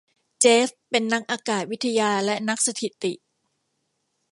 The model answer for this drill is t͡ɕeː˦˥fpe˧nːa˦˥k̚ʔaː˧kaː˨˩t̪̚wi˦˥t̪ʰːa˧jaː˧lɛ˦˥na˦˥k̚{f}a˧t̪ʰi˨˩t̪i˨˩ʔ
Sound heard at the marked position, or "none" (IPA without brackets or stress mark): s